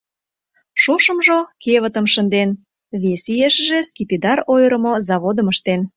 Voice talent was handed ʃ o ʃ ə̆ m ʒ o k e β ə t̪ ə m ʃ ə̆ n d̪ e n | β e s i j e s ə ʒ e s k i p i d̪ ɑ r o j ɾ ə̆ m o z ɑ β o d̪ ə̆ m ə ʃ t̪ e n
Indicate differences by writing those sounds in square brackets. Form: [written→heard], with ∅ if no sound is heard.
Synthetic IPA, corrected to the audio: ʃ o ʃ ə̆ m ʒ o k e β ə t̪ ə m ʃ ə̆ n d̪ e n | β e s i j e [s→ʃ] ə ʒ e s k i p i d̪ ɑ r o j ɾ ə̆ m o z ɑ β o d̪ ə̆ m ə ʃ t̪ e n